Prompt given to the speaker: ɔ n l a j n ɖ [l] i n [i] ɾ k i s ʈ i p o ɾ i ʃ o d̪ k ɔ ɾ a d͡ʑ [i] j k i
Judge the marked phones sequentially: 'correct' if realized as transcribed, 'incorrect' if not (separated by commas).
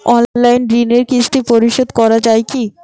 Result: incorrect, incorrect, incorrect